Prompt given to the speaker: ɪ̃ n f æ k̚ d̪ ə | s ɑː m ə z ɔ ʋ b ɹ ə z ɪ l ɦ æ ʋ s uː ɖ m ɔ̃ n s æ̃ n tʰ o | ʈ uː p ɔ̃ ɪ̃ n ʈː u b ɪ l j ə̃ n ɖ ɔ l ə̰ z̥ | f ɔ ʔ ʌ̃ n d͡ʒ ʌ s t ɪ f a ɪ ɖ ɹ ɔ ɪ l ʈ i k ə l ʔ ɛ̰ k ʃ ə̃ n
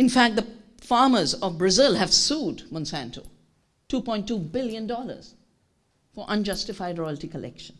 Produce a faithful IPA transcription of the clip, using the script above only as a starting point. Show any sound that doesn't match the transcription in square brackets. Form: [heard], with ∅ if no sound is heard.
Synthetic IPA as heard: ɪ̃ n f æ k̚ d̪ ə | [f] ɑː m ə z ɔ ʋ b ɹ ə z ɪ l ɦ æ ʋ s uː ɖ m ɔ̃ n s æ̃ n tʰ o | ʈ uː p ɔ̃ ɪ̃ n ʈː u b ɪ l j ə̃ n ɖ ɔ l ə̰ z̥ | f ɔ ʔ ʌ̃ n d͡ʒ ʌ s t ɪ f a ɪ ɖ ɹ ɔ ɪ l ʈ i k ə l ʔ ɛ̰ k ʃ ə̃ n